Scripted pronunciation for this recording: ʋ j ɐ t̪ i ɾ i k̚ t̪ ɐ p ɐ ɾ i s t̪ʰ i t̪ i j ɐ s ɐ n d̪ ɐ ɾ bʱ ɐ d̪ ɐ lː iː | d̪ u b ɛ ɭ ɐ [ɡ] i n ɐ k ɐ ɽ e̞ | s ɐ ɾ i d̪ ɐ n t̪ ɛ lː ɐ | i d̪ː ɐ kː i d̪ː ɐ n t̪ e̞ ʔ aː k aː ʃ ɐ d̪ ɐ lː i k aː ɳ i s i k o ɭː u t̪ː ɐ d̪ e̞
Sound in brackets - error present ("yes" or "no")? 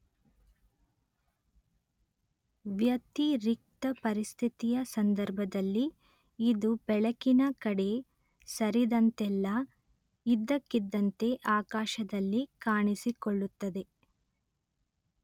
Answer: yes